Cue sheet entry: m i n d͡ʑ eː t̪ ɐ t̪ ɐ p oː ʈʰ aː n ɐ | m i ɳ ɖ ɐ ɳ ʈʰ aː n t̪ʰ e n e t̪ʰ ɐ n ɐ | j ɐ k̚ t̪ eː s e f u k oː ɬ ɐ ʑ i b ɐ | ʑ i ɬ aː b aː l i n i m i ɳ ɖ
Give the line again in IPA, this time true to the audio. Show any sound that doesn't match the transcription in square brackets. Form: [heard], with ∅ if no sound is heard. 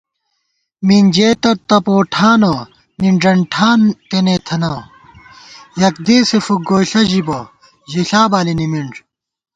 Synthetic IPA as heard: m i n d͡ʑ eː t̪ ɐ t̪ ɐ p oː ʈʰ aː n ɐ | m i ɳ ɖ ɐ ɳ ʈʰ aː n [t̪] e n e t̪ʰ ɐ n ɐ | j ɐ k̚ [d̪] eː s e f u [ɡ] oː ɬ ɐ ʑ i b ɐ | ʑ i ɬ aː b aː l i n i m i ɳ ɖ